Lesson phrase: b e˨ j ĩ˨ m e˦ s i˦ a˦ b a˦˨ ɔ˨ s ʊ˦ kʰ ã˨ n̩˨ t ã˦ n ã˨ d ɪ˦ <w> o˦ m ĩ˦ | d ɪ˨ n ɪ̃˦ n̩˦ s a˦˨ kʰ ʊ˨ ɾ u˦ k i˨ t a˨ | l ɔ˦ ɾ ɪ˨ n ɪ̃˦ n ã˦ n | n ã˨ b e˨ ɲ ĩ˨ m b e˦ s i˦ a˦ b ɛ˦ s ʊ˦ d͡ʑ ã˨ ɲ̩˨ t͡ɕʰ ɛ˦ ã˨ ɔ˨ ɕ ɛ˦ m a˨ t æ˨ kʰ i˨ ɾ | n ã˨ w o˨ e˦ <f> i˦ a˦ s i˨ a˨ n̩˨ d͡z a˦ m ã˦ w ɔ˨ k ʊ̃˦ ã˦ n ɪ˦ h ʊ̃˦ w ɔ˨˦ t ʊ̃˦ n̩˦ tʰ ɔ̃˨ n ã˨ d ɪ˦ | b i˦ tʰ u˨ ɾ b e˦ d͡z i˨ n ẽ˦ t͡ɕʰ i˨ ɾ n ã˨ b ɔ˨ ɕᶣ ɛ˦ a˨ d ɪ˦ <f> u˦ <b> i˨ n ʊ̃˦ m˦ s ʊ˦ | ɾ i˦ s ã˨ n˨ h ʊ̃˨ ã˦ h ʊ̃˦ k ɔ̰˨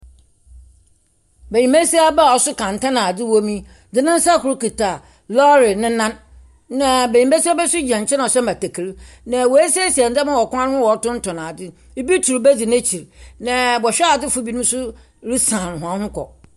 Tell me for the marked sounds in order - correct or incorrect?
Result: correct, incorrect: s, correct, correct

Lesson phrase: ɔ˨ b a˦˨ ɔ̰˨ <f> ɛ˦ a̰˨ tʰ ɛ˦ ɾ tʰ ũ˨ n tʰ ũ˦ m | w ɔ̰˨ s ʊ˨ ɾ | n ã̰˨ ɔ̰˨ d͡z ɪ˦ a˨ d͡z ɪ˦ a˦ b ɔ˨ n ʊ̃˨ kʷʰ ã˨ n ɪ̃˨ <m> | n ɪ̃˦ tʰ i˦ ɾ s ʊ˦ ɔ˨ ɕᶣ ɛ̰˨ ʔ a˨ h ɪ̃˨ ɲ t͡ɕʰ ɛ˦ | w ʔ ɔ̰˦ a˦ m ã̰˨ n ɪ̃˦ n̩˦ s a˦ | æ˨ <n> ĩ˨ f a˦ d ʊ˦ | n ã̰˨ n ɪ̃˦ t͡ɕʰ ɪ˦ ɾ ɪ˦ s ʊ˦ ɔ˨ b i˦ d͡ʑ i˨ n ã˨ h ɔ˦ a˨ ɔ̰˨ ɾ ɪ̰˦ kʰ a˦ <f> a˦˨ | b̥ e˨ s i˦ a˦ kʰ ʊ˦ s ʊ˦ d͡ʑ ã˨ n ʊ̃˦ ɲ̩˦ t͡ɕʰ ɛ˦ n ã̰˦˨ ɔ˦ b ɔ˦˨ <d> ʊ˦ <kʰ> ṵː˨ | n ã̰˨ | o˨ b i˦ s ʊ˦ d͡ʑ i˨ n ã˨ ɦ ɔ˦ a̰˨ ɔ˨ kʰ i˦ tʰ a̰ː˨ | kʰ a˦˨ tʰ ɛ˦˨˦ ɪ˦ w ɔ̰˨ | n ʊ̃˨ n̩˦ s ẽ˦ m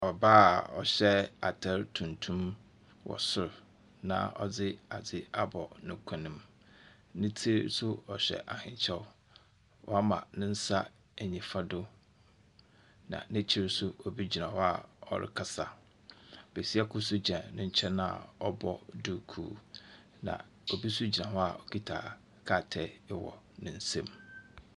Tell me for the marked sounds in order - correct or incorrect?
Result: incorrect: ɕ, correct, incorrect: ɲ, incorrect: s, correct, correct

